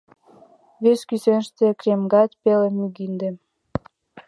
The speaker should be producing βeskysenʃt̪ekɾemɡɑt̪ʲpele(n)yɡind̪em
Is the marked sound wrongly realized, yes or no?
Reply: yes